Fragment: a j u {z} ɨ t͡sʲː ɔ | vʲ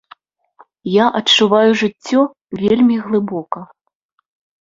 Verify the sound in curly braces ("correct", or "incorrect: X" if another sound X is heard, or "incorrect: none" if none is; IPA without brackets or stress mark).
incorrect: ʐ